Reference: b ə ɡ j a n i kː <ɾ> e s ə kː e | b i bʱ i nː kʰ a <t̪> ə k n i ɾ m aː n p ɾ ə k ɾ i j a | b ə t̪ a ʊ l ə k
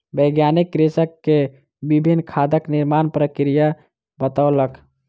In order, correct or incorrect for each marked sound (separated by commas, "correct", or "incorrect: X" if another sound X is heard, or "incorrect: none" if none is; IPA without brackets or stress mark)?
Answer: correct, incorrect: d̪